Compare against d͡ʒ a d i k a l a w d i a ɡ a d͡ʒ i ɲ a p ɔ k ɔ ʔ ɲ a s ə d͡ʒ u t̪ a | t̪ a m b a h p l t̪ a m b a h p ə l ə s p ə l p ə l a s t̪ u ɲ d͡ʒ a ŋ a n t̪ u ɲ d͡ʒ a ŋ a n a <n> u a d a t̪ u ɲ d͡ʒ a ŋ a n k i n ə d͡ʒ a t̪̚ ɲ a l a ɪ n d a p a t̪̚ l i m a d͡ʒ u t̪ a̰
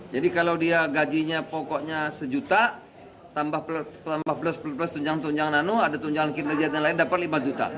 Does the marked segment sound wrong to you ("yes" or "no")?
no